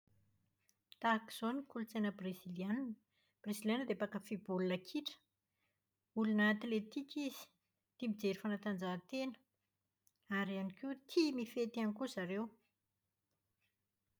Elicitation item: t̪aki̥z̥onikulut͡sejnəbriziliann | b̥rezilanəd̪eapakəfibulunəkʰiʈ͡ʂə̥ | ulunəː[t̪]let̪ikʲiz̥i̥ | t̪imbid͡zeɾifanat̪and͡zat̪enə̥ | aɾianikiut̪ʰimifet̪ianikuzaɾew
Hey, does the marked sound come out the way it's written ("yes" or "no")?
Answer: yes